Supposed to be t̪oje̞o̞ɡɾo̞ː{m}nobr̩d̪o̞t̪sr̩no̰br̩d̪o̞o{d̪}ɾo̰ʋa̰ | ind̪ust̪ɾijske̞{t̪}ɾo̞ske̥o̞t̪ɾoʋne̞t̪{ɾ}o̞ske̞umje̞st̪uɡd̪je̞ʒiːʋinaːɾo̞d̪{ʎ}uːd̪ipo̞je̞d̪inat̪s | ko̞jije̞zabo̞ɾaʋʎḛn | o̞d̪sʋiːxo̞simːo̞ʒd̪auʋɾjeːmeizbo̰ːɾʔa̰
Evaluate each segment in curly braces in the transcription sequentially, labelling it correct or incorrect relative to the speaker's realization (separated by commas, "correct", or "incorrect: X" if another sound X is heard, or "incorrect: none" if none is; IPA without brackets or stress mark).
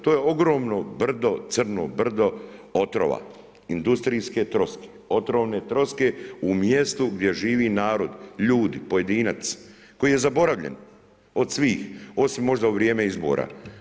correct, incorrect: t̪, correct, correct, correct